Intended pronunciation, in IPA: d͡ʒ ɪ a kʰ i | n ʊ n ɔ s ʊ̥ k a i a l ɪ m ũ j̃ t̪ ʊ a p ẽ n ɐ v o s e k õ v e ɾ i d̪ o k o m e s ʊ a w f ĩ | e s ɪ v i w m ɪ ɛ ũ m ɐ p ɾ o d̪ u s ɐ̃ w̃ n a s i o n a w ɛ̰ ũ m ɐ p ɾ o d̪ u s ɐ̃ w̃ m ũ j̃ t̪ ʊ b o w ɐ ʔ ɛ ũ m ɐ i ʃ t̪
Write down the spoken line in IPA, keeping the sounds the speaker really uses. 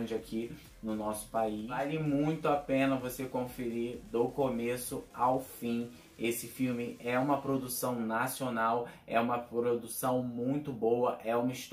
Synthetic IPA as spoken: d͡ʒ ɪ a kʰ i | n ʊ n ɔ s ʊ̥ p a i a l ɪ m ũ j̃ t̪ ʊ a p ẽ n ɐ v o s e k õ f e ɾ i d̪ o k o m e s ʊ a w f ĩ | e s ɪ f i w m ɪ ɛ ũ m ɐ p ɾ o d̪ u s ɐ̃ w̃ n a s i o n a w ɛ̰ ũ m ɐ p ɾ o d̪ u s ɐ̃ w̃ m ũ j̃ t̪ ʊ b o w ɐ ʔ ɛ ũ m ɐ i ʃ t̪

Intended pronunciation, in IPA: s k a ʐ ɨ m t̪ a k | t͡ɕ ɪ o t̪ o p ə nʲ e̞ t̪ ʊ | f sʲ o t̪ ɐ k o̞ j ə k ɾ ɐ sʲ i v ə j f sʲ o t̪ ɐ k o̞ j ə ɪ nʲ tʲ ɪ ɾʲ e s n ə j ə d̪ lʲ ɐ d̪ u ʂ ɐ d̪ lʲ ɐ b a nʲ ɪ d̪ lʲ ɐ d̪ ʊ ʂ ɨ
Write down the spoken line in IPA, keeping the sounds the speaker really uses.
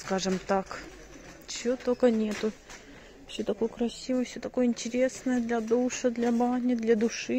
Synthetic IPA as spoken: s k a ʐ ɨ m t̪ a k | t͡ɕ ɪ o t̪ o k ə nʲ e̞ t̪ ʊ | f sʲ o t̪ ɐ k o̞ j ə k ɾ ɐ sʲ i v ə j f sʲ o t̪ ɐ k o̞ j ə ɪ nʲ tʲ ɪ ɾʲ e s n ə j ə d̪ lʲ ɐ d̪ u ʂ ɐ d̪ lʲ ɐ b a nʲ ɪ d̪ lʲ ɐ d̪ ʊ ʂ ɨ

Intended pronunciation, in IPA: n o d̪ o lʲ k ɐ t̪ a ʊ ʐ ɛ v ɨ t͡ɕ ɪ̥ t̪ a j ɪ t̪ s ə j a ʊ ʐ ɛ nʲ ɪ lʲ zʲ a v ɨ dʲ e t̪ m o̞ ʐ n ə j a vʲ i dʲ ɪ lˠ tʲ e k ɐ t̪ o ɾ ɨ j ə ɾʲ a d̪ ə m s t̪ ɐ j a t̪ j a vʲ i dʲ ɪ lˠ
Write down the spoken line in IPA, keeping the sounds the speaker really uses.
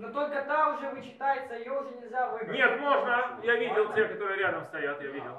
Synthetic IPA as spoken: n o t̪ o lʲ k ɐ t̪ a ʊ ʐ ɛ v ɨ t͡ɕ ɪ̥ t̪ a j ɪ t̪ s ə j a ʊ ʐ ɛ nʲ ɪ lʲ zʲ a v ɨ nʲ e t̪ m o̞ ʐ n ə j a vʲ i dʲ ɪ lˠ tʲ e k ɐ t̪ o ɾ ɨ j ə ɾʲ a d̪ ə m s t̪ ɐ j a t̪ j a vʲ i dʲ ɪ lˠ

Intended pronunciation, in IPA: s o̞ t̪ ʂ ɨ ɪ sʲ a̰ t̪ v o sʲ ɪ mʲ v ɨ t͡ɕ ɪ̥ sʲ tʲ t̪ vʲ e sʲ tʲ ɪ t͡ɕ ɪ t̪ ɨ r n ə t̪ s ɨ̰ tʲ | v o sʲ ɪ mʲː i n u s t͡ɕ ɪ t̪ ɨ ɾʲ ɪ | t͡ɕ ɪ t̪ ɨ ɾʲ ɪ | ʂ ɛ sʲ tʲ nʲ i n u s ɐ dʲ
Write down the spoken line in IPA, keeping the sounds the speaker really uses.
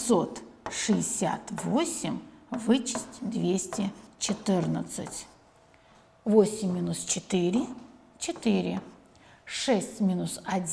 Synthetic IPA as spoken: s o̞ t̪ ʂ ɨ ɪ sʲ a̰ t̪ v o sʲ ɪ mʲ v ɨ t͡ɕ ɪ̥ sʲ tʲ d̪ vʲ e sʲ tʲ ɪ t͡ɕ ɪ t̪ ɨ r n ə t̪ s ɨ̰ tʲ | v o sʲ ɪ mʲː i n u s t͡ɕ ɪ t̪ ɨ ɾʲ ɪ | t͡ɕ ɪ t̪ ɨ ɾʲ ɪ | ʂ ɛ sʲ tʲ mʲ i n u s ɐ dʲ

